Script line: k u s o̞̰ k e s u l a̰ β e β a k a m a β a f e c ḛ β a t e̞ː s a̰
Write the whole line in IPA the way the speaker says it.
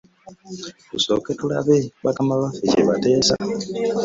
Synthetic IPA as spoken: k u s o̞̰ k e t u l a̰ β e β a k a m a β a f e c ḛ β a t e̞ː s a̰

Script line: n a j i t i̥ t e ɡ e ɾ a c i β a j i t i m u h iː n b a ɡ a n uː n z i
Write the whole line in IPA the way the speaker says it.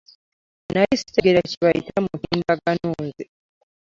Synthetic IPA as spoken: n a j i s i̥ t e ɡ e ɾ a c i β a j i t a m u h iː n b a ɡ a n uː n z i

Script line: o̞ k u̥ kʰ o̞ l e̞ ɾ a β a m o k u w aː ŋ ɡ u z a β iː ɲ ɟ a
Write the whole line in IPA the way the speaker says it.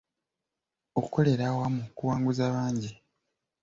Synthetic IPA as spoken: o̞ k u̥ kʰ o̞ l e̞ ɾ a w a m u k u w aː ŋ ɡ u z a β aː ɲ ɟ i

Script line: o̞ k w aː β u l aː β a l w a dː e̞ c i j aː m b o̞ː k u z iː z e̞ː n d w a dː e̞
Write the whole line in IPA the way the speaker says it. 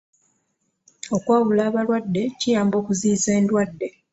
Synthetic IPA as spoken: o̞ k w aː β u l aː β a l w a dː e̞ c i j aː m b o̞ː k u z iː z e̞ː n d w a dː e̞

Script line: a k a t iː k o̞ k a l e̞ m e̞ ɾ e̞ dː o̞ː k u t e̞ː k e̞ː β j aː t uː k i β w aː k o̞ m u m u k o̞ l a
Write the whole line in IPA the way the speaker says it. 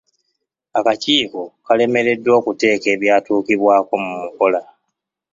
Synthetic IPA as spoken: a k a c iː k o̞ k a l e̞ m e̞ ɾ e̞ dː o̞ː k u t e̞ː k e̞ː β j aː t uː k i β w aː k o̞ m u m u k o̞ l a

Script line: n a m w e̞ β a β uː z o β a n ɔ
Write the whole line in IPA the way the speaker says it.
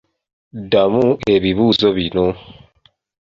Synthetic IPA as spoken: d a m u e̞ β i β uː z o β i n o

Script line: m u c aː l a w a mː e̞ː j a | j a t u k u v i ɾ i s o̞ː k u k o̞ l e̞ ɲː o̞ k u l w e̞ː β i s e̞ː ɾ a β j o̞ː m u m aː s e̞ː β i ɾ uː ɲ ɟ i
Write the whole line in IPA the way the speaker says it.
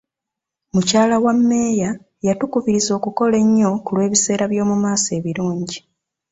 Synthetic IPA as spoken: m u c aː l a w a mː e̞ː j a | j a t u k u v i ɾ i z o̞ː k u k o̞ l e̞ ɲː o̞ k u l w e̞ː β i s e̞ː ɾ a β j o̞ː m u m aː s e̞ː β i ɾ uː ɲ ɟ i

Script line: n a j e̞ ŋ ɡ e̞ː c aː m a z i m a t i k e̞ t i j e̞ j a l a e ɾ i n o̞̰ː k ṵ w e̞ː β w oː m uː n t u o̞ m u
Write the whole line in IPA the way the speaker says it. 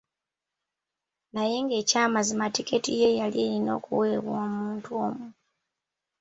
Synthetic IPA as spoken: n a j e̞ ŋ ɡ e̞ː c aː m a z i m a t i k e̞ t i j e̞ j a l i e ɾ i n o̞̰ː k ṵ w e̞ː β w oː m uː n t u o̞ m u

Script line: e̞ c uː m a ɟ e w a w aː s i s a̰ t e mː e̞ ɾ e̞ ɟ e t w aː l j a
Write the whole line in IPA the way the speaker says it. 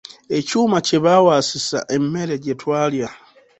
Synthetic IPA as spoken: e̞ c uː m a c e β a w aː s i s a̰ ʔ e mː e̞ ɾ e̞ ɟ e t w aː l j a

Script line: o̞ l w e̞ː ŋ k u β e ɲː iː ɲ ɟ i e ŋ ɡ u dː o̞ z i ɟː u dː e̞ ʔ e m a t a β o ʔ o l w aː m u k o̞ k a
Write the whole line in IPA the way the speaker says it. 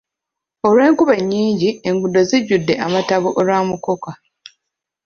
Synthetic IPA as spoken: o̞ l w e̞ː ŋ k u β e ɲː iː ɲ ɟ i e ŋ ɡ u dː o̞ z i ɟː u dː e̞ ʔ a m a t a β o ʔ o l w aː m u k o̞ k a

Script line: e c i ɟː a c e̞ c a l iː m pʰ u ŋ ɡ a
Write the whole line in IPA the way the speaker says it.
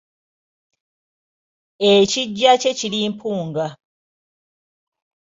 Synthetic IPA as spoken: e c i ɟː a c e̞ c i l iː m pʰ uː ŋ ɡ a

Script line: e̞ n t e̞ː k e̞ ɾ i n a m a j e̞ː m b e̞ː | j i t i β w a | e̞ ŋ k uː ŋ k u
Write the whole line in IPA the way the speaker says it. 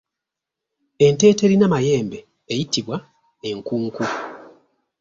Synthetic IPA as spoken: e̞ n t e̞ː t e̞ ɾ i n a m a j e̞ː m b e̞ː | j i t i β w a | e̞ ŋ k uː ŋ k u

